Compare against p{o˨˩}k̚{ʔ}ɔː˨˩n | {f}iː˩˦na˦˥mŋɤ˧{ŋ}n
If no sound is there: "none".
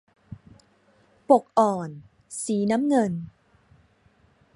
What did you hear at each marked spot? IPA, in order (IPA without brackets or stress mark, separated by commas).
o˨˩, ʔ, s, none